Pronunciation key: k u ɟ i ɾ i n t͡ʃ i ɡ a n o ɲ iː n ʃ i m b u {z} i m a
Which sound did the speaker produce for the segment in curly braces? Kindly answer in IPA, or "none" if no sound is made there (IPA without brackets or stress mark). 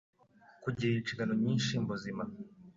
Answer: z